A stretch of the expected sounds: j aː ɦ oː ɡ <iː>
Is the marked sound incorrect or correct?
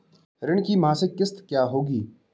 correct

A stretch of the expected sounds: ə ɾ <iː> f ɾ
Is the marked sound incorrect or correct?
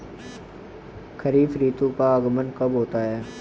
correct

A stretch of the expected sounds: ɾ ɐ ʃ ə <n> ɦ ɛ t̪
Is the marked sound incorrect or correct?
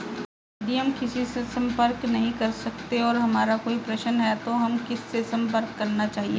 correct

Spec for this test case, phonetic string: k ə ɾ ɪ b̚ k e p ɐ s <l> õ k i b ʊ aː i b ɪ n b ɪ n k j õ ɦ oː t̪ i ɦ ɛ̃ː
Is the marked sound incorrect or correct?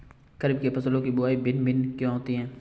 correct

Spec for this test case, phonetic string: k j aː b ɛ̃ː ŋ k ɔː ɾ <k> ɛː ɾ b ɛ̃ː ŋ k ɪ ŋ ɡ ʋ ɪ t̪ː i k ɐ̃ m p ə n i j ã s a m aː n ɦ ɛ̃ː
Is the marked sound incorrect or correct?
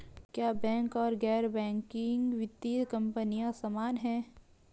incorrect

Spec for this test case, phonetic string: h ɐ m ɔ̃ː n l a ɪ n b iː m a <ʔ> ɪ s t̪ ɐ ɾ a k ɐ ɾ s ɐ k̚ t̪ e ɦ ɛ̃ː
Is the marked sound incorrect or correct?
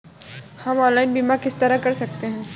incorrect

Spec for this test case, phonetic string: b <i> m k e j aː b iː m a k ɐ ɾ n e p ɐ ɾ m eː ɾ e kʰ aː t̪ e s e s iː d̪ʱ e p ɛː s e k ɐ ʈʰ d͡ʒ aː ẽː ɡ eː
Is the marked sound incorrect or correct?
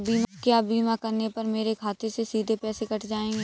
incorrect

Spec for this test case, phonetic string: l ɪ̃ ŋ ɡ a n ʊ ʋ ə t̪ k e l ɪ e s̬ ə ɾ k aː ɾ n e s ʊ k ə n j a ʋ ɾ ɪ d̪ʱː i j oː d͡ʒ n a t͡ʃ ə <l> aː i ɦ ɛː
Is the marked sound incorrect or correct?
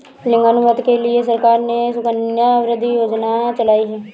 correct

